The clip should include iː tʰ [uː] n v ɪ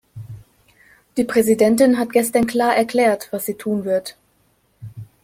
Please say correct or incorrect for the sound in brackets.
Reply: correct